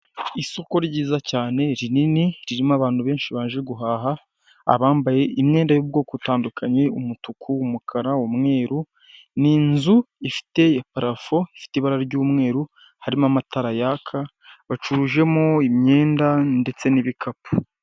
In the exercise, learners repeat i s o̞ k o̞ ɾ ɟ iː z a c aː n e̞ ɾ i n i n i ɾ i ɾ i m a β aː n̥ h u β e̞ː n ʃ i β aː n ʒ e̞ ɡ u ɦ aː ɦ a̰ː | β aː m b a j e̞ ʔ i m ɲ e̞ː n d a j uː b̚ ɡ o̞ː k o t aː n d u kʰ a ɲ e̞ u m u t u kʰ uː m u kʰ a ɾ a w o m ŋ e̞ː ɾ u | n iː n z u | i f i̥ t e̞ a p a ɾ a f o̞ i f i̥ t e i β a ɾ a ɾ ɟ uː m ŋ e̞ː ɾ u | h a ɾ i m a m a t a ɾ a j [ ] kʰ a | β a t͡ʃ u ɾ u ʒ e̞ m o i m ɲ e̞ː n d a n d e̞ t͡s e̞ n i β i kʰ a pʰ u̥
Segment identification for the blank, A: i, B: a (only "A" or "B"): B